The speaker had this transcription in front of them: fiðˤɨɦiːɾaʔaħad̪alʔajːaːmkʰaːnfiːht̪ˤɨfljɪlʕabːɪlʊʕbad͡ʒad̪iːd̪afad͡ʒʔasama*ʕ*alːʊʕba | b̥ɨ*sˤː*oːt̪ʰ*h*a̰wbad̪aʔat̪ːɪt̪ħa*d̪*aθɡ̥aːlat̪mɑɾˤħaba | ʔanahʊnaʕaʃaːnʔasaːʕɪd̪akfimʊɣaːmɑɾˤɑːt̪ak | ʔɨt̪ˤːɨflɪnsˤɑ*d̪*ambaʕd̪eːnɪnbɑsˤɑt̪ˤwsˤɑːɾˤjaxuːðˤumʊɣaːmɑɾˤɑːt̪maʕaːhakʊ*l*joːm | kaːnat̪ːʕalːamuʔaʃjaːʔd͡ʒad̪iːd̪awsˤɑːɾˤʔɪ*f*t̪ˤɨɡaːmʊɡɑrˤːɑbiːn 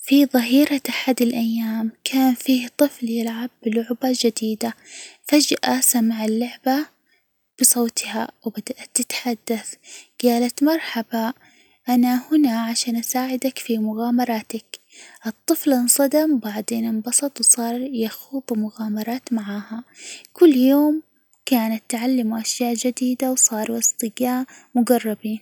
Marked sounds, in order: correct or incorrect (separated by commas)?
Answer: correct, incorrect, correct, incorrect, correct, incorrect, incorrect